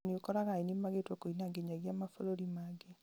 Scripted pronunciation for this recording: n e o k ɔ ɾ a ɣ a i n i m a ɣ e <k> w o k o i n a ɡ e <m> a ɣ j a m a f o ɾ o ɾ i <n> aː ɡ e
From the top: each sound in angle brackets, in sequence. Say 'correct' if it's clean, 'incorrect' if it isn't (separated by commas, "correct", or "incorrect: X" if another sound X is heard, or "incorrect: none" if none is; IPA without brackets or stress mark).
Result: incorrect: t, incorrect: ɲ, incorrect: m